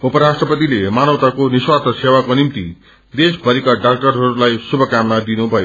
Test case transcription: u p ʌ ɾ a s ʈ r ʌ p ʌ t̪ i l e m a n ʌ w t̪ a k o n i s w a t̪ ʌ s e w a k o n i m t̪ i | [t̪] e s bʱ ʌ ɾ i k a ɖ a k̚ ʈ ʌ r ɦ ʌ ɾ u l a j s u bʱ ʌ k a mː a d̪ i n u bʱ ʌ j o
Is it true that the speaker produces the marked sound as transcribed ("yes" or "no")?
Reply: no